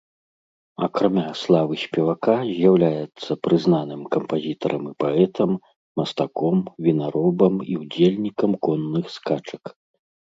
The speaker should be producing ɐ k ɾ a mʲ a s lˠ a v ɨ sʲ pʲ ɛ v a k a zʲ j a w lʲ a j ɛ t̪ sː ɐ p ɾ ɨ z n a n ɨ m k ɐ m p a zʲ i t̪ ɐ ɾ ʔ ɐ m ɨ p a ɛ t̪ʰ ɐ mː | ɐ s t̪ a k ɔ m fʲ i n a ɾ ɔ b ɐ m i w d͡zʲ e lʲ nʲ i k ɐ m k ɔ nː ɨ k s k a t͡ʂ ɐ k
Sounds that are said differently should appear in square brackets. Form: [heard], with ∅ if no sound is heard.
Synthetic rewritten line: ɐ k ɾ a mʲ a s lˠ a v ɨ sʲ pʲ ɛ v a k a zʲ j a w lʲ a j ɛ t̪ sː ɐ p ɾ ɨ z n a n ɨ m k ɐ m p a zʲ i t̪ ɐ ɾ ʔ ɐ m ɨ p a ɛ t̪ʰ ɐ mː | ɐ s t̪ a k ɔ m [vʲ] i n a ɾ ɔ b ɐ m i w d͡zʲ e lʲ nʲ i k ɐ m k ɔ nː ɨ [x] s k a t͡ʂ ɐ k